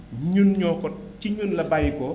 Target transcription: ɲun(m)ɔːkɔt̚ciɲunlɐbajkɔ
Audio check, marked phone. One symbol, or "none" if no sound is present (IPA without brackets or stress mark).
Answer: ɲ